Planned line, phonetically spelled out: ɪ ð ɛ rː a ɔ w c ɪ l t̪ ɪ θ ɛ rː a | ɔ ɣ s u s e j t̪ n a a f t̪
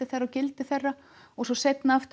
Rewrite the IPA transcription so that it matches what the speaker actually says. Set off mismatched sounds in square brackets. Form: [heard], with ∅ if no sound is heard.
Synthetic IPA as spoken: ɪ [θ] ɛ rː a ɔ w c ɪ l t̪ ɪ θ ɛ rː a | ɔ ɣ s [ɔ] s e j t̪ n a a f t̪